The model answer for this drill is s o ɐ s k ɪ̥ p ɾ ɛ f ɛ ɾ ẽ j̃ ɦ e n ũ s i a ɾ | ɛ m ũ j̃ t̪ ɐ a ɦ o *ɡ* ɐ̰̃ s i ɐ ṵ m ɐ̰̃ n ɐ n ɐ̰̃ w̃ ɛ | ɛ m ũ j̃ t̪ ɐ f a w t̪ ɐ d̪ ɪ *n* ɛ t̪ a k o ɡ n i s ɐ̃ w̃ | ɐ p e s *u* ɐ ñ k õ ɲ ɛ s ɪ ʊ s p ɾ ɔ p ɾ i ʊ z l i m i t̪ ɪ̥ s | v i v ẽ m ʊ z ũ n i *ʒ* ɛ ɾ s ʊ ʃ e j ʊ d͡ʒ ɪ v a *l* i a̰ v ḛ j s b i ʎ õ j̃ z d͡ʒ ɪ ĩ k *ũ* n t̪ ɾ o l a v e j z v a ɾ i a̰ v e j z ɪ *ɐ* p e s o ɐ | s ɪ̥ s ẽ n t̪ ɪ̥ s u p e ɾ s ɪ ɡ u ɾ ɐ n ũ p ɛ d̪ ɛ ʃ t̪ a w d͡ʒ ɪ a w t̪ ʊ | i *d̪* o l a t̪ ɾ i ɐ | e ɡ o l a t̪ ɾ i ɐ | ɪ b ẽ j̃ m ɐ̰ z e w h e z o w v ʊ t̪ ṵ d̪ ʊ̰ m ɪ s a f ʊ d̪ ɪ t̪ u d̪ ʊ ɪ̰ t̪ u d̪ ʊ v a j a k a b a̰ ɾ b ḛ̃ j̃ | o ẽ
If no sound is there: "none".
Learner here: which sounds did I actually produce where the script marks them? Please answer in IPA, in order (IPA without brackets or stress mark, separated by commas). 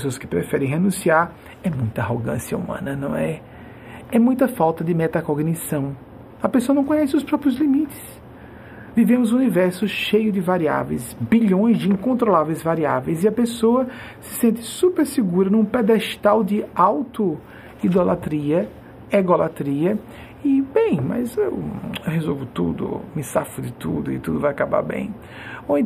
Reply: ɡ, m, o, v, ɾ, õ, ɐ, d̪